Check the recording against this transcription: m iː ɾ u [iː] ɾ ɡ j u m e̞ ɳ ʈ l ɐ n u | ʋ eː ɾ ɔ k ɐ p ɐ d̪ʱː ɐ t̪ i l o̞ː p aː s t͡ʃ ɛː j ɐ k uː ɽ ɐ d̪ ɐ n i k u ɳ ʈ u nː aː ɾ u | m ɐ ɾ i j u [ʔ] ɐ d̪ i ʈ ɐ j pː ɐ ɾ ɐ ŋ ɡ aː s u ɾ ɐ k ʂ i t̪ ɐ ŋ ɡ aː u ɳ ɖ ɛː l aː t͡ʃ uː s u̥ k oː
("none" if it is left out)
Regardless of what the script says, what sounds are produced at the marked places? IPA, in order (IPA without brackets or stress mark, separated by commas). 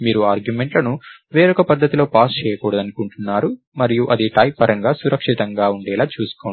aː, ʔ